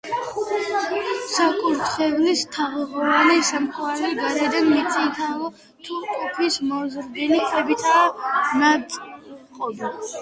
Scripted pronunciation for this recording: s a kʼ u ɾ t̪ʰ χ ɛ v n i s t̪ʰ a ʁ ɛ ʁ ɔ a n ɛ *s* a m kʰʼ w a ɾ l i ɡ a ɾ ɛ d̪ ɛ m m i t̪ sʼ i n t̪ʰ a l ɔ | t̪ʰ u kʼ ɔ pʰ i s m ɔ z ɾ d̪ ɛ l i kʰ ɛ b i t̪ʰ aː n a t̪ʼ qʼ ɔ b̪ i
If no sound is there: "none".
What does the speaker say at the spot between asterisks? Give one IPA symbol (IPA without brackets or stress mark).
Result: s